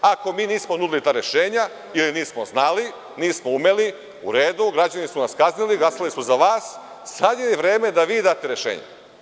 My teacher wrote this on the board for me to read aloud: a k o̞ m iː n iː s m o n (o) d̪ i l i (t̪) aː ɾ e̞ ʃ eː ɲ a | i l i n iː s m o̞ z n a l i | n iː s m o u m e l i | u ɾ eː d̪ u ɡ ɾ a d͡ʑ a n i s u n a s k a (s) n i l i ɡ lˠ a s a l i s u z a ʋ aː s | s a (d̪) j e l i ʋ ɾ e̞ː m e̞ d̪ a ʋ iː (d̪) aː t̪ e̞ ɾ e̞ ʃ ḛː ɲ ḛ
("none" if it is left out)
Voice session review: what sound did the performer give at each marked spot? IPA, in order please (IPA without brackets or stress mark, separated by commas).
u, t̪, z, d̪, d̪